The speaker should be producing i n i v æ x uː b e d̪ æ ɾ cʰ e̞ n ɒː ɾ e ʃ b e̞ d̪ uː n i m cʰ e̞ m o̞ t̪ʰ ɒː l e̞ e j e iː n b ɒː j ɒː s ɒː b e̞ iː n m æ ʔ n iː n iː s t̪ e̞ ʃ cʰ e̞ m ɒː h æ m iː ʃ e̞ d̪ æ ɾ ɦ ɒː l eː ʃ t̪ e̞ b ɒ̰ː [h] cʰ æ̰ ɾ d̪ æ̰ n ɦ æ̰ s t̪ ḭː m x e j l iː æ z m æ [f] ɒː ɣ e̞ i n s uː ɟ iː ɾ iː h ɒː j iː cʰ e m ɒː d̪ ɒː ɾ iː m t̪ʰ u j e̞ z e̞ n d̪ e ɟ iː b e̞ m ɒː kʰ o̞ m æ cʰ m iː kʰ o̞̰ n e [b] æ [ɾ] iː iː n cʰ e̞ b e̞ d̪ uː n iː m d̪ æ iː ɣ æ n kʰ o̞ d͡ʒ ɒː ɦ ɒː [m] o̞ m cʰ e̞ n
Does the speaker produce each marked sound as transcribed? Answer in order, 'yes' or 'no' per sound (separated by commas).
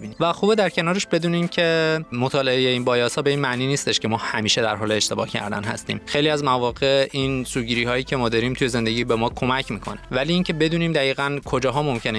yes, no, no, no, yes